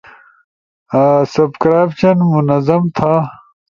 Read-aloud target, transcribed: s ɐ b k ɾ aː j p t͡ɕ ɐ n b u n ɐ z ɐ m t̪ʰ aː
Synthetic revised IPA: s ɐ b k ɾ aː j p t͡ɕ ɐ n m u n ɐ z ɐ m t̪ʰ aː